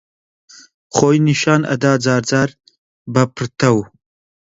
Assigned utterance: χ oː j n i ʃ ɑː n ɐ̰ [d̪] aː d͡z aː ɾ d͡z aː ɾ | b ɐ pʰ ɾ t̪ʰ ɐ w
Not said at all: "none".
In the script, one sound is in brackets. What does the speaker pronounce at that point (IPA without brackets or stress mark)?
d̪